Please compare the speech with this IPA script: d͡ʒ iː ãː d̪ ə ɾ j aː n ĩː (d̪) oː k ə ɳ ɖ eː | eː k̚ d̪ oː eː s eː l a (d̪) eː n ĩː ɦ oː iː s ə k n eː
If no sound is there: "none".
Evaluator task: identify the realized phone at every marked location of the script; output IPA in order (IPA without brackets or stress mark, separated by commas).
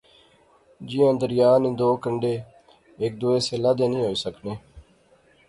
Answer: d̪, d̪